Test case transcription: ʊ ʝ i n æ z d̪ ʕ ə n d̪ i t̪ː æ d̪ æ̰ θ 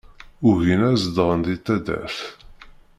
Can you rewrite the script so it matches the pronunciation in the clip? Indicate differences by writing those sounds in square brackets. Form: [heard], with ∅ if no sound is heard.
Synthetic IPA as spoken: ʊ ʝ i n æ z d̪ [ʁ] ə n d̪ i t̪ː æ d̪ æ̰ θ